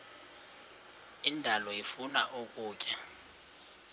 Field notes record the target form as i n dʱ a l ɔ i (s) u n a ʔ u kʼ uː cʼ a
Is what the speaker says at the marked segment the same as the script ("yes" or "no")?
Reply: no